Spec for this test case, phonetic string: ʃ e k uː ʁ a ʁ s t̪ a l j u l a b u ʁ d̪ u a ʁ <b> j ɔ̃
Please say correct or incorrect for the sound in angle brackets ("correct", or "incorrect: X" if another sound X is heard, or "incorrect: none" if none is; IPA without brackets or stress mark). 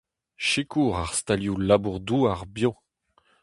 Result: correct